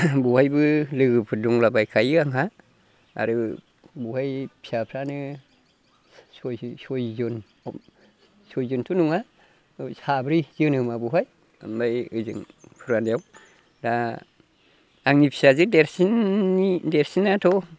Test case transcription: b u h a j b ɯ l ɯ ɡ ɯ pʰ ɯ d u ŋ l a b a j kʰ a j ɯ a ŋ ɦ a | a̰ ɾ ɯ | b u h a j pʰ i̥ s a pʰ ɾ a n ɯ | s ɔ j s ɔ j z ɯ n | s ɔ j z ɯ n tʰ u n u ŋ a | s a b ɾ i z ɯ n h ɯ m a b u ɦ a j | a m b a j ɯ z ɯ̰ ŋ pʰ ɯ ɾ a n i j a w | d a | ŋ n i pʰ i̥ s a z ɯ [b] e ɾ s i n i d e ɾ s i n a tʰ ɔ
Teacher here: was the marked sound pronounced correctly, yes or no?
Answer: no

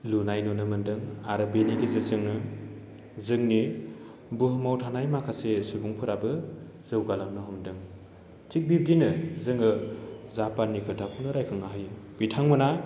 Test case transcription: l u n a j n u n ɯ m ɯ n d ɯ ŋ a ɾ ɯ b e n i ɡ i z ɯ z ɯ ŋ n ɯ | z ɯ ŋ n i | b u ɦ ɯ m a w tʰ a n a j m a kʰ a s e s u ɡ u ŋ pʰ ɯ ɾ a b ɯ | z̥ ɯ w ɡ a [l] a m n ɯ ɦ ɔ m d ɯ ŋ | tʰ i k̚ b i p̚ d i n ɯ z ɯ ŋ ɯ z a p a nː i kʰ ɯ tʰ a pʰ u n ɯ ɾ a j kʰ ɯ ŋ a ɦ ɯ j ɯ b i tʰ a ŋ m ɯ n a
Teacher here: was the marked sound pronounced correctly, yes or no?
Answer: yes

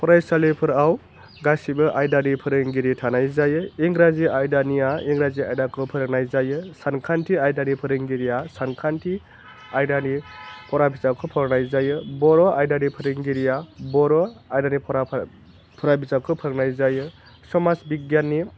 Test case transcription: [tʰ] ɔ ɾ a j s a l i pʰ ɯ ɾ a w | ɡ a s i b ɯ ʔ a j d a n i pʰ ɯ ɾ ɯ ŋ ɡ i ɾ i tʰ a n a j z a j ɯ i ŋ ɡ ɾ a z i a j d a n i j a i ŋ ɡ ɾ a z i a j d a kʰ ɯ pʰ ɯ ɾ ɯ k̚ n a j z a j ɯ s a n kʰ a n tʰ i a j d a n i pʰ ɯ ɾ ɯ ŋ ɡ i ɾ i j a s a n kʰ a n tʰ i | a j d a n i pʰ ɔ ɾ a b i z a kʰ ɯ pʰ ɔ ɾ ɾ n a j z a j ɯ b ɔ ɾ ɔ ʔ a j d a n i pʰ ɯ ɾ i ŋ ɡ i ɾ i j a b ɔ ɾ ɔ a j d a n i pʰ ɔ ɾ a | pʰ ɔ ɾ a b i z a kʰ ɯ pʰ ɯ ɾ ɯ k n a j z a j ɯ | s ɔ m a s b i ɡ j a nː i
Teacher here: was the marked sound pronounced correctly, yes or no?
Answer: no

